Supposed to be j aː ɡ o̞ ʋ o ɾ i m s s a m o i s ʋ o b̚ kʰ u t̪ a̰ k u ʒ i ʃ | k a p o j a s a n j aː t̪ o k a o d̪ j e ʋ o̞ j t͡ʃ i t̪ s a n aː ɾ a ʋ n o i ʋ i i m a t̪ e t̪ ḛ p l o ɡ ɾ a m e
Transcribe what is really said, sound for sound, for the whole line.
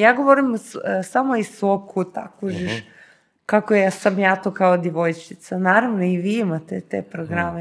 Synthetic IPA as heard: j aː ɡ o̞ ʋ o ɾ i m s s a m o i s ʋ o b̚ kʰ u t̪ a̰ k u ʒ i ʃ | k a k o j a s a m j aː t̪ o k a o d̪ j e ʋ o̞ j t͡ʃ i t̪ s a n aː ɾ a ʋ n o i ʋ i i m a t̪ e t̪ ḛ p ɾ o ɡ ɾ a m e